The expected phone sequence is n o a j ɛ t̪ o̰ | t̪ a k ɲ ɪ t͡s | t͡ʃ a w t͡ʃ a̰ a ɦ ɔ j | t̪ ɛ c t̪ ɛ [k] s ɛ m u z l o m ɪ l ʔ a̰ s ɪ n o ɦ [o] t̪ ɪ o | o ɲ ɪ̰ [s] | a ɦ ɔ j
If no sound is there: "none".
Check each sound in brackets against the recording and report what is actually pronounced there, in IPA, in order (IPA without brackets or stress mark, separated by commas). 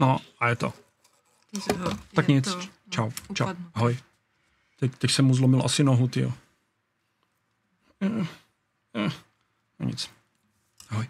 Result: c, u, t͡s